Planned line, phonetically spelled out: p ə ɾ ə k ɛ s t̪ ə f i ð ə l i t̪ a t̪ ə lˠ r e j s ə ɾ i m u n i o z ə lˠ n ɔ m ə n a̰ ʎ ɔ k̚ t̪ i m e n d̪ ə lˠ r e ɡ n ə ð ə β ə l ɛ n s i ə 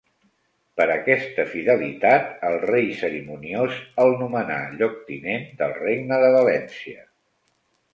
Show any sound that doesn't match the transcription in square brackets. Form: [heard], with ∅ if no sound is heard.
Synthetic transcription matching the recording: p ə ɾ ə k ɛ s t̪ ə f i ð ə l i t̪ a t̪ ə lˠ r e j s ə ɾ i m u n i o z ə lˠ n [u] m ə n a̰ ʎ ɔ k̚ t̪ i [n] e n d̪ ə lˠ r e ɡ n ə ð ə β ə l ɛ n s i ə

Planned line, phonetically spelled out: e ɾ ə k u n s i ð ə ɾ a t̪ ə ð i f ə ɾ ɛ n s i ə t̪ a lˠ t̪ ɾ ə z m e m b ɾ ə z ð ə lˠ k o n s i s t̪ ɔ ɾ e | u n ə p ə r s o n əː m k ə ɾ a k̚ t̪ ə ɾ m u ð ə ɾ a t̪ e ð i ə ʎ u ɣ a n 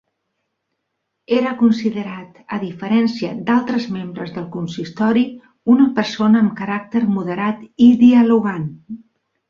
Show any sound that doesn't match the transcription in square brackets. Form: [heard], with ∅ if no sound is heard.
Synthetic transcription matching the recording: e ɾ ə k u n s i ð ə ɾ a t̪ ə ð i f ə ɾ ɛ n s i ə [d̪] a lˠ t̪ ɾ ə z m e m b ɾ ə z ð ə lˠ k [u] n s i s t̪ ɔ ɾ [i] | u n ə p ə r s o n əː m k ə ɾ a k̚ t̪ ə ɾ m u ð ə ɾ a t̪ [i] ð i ə [l] u ɣ a n

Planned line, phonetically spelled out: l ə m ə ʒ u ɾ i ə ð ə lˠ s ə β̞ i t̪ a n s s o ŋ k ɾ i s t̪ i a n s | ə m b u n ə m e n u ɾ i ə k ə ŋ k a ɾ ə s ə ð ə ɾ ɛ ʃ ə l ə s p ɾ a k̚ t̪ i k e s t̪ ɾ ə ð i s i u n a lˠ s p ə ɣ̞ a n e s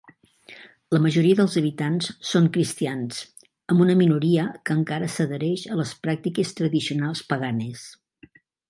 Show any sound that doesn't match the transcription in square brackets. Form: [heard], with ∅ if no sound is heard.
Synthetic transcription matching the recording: l ə m ə ʒ u ɾ i ə ð ə lˠ [z] ə β̞ i t̪ a n s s o ŋ k ɾ i s t̪ i a n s | ə m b u n ə m [i] n u ɾ i ə k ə ŋ k a ɾ ə s ə ð ə ɾ ɛ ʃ ə l ə s p ɾ a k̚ t̪ i k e s t̪ ɾ ə ð i s i u n a lˠ s p ə ɣ̞ a n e s

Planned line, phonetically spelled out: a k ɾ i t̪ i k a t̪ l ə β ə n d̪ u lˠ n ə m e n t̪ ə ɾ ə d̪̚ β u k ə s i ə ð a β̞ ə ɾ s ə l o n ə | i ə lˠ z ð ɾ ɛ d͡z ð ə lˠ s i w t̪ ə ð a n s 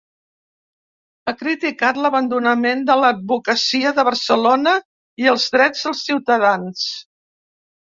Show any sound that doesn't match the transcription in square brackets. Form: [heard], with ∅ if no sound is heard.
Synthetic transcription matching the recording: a k ɾ i t̪ i k a t̪ l ə β ə n d̪ u [∅] n ə m e n [d̪] ə [l] ə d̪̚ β u k ə s i ə ð [ə] β̞ ə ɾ s ə l o n ə | i ə lˠ z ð ɾ ɛ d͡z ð ə lˠ s i w t̪ ə ð a n s

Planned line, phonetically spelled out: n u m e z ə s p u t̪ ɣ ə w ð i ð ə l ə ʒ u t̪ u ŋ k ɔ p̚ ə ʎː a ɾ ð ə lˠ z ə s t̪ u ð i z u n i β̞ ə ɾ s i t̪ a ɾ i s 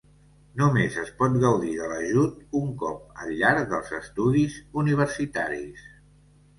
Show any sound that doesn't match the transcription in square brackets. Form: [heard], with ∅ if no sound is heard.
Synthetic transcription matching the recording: n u m e z ə s p [ɔ] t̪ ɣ ə w ð i ð ə l ə ʒ u t̪ u ŋ k ɔ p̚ ə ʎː a ɾ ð ə lˠ z ə s t̪ u ð i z u n i β̞ ə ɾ s i t̪ a ɾ i s

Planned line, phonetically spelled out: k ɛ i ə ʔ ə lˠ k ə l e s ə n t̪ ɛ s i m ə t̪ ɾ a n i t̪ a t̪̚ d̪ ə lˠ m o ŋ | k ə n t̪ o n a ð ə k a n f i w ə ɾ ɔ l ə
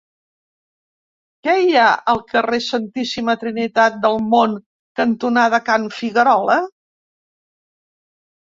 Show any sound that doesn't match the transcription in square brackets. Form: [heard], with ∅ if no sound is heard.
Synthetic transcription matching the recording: k ɛ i [a] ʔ ə lˠ k ə [r] e s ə n t̪ [i] s i m ə t̪ ɾ [i] n i t̪ a t̪̚ d̪ ə lˠ m o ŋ | k ə n t̪ [u] n a ð ə k a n f i [ɣ] ə ɾ ɔ l ə

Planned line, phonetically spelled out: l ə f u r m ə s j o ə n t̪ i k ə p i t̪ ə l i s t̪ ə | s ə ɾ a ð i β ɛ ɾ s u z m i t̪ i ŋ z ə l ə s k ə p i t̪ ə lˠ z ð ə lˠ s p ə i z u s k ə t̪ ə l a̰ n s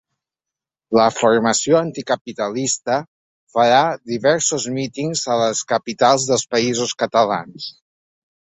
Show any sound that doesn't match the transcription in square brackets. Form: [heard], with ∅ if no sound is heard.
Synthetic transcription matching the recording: l ə f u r m ə s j o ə n t̪ i k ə p i t̪ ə l i s t̪ ə | [f] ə ɾ a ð i β ɛ ɾ s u z m i t̪ i ŋ z ə l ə s k ə p i t̪ [a] lˠ z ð ə lˠ s p ə i z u s k ə t̪ ə l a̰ n s

